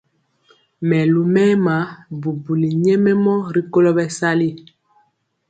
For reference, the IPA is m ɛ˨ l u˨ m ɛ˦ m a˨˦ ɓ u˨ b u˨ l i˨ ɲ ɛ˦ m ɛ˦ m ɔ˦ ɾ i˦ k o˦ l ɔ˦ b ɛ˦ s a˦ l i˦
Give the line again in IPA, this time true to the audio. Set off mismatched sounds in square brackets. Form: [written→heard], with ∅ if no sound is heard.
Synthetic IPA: m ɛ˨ l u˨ m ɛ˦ m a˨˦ [ɓ→b] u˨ b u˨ l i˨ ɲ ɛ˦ m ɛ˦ m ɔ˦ ɾ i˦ k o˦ l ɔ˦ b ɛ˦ s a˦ l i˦